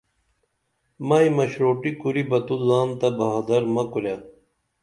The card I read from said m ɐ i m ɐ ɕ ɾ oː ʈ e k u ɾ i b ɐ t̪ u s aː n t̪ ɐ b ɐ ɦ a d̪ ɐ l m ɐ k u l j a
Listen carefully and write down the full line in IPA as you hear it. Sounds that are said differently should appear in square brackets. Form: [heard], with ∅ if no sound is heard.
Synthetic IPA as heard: m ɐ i m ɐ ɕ ɾ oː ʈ [i] k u ɾ i b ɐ t̪ u [z] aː n t̪ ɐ b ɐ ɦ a d̪ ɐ [ɾ] m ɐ k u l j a